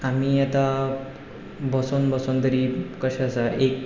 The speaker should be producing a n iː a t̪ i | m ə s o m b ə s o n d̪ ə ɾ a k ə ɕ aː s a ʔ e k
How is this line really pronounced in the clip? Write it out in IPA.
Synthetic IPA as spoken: a m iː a t̪ a | b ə s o n b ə s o n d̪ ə ɾ i k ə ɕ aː s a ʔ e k